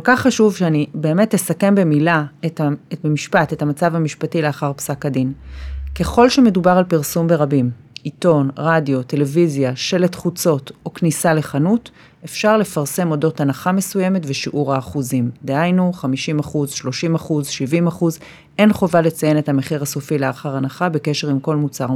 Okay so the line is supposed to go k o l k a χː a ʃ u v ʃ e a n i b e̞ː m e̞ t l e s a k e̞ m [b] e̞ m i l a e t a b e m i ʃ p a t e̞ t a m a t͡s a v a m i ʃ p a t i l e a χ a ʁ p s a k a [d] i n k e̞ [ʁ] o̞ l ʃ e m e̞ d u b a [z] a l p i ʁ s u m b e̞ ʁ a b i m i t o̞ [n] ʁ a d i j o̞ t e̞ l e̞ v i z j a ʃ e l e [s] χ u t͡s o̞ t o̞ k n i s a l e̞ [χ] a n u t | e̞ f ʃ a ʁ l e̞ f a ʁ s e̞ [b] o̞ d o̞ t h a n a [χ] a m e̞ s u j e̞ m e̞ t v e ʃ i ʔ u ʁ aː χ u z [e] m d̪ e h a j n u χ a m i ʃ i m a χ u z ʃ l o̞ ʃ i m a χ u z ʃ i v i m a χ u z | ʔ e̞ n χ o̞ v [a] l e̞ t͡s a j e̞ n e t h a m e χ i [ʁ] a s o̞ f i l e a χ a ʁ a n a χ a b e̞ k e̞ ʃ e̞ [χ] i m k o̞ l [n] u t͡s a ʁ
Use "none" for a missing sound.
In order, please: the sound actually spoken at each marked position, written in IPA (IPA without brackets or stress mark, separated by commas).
b, d, χ, ʁ, n, t, χ, m, χ, i, a, ʁ, ʁ, m